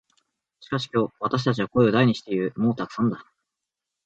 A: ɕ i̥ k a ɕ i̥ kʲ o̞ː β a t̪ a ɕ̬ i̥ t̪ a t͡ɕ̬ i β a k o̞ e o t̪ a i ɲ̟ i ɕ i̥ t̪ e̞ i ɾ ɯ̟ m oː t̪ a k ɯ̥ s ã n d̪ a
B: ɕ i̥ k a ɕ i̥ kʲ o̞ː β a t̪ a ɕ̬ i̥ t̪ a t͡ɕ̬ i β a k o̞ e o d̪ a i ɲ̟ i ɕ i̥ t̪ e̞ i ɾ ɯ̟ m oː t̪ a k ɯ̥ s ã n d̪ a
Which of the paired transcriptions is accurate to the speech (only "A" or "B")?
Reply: B